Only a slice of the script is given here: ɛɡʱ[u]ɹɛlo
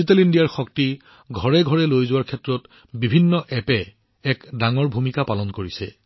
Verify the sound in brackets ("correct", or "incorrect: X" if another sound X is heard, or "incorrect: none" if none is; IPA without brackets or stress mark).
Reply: incorrect: ɔ